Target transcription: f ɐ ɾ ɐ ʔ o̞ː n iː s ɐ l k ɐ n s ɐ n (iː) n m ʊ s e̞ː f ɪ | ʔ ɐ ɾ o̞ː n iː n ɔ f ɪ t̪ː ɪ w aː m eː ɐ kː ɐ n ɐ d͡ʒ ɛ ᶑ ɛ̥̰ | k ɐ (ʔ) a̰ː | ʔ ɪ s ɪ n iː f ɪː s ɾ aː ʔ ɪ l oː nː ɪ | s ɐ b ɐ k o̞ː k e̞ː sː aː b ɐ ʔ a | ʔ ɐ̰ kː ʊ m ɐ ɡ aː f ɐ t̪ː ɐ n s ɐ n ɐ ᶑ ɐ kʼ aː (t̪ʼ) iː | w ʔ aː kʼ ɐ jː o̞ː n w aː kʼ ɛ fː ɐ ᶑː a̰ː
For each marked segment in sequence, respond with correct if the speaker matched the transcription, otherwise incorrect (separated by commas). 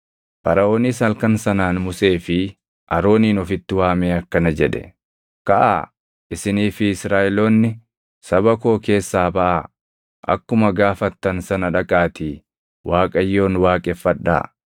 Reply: incorrect, correct, incorrect